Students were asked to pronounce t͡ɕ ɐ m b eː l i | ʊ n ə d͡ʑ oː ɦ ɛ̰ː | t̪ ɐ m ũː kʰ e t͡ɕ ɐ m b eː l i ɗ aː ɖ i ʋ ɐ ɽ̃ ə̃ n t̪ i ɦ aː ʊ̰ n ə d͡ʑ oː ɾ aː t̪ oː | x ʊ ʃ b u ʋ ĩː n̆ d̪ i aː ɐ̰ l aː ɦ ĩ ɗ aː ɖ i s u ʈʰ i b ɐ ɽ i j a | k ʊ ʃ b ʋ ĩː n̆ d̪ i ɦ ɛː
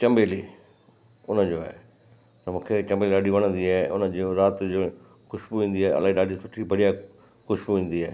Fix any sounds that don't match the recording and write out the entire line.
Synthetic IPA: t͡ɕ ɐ m b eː l i | ʊ n ə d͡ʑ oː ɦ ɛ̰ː | t̪ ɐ m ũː kʰ e t͡ɕ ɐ m b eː l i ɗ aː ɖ i ʋ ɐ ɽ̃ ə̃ n d̪ i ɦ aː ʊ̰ n ə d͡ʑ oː ɾ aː t̪ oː | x ʊ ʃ b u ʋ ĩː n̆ d̪ i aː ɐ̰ l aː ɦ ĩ ɗ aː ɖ i s ʊ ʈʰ i b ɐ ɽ i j a | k ʊ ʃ b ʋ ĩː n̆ d̪ i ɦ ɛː